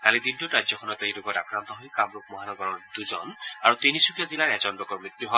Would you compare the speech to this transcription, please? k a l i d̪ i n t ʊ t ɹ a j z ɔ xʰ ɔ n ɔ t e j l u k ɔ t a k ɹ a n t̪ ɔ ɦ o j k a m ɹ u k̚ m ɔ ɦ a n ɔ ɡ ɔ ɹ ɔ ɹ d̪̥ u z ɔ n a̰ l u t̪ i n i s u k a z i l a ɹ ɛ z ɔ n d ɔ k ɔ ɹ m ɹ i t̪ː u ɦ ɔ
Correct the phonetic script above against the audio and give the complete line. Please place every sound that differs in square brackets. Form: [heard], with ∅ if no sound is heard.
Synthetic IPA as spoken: k a l i d̪ i n t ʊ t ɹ a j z ɔ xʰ ɔ n ɔ t e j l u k ɔ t a k ɹ a n t̪ ɔ ɦ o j k a m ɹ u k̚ m ɔ ɦ a n ɔ ɡ ɔ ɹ ɔ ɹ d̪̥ u z ɔ n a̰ [ɹ] u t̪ i n i s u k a z i l a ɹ ɛ z ɔ n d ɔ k ɔ ɹ m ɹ i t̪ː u ɦ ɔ